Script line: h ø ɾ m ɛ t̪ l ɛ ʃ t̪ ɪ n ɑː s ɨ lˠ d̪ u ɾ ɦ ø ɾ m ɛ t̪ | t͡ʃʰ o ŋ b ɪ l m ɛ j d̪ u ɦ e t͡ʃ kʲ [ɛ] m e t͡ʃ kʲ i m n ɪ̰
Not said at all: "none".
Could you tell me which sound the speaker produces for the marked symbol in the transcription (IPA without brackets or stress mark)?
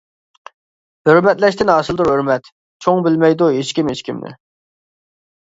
i